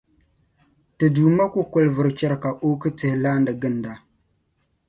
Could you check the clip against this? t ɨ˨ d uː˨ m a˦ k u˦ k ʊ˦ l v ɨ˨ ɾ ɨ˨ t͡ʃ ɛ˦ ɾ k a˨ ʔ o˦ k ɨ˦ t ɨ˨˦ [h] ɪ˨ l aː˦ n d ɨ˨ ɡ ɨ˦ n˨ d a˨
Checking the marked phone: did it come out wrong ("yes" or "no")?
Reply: no